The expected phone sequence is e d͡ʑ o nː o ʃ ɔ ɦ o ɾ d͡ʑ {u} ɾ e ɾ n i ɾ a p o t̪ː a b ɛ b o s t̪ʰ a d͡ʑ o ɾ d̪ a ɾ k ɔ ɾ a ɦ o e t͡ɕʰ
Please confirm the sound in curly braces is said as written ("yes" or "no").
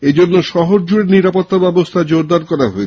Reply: yes